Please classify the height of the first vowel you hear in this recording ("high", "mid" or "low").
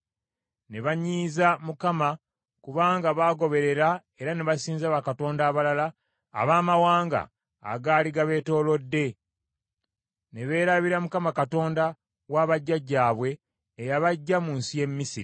mid